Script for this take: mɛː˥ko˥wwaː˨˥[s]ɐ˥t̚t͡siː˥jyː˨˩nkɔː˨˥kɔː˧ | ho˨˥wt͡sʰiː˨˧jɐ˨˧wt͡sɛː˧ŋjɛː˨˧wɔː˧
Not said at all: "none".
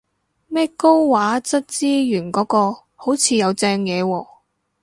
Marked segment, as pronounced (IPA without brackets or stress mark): t͡s